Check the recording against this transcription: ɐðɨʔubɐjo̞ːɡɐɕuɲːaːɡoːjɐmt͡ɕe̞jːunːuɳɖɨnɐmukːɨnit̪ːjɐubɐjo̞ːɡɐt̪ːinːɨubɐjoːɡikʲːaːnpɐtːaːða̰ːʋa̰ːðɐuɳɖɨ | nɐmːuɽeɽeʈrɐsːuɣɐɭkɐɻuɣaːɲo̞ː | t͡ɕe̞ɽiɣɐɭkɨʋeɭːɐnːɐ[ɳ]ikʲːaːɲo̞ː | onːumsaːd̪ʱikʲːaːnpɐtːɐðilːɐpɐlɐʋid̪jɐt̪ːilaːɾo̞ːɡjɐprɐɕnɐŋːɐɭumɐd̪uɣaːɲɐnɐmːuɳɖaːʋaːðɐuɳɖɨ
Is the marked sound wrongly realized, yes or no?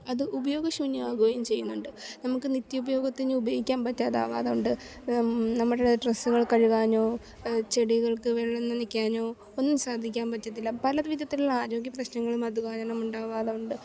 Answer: yes